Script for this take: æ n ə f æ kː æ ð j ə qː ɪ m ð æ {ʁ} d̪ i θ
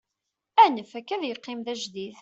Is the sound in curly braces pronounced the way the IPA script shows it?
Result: no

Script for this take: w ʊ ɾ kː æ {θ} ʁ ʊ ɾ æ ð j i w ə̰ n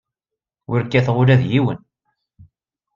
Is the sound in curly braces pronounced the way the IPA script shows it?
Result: yes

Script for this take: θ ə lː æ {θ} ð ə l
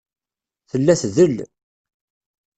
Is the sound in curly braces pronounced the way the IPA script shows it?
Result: yes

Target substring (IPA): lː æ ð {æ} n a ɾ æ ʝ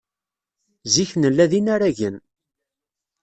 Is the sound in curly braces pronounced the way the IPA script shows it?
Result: no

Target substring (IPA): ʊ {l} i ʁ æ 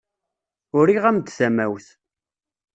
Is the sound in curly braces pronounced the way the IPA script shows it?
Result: no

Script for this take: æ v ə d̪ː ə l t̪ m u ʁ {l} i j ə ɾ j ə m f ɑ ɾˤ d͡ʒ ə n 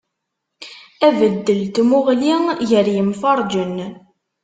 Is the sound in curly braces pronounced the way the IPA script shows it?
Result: yes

